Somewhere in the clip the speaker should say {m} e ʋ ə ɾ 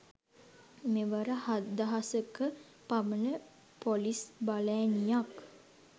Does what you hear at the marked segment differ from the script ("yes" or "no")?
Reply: no